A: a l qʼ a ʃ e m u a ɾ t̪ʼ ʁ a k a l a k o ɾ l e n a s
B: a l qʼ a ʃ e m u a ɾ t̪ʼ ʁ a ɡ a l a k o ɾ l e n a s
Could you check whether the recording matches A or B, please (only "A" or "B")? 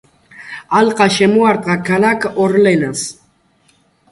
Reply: A